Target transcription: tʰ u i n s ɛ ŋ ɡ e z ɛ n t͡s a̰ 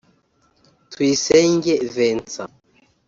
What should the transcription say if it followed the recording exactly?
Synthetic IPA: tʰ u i s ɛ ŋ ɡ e v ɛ n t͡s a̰